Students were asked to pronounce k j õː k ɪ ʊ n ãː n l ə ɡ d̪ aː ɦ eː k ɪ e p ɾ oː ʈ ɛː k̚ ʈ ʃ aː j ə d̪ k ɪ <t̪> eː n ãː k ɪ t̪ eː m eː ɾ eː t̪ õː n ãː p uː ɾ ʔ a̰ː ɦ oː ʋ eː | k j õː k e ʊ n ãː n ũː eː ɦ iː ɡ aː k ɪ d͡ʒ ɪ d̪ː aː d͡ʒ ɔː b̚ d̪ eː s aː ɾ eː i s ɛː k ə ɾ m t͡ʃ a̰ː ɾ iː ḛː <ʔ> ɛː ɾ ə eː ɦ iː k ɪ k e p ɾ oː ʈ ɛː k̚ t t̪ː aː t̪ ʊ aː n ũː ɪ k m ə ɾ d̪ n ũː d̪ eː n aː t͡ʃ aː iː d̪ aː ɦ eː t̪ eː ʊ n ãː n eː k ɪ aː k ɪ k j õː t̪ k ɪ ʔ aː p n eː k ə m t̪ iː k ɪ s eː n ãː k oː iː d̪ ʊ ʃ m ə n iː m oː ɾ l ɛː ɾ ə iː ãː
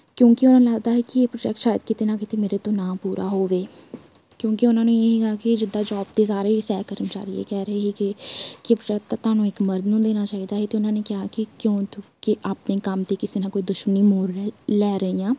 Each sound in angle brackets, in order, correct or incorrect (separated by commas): correct, incorrect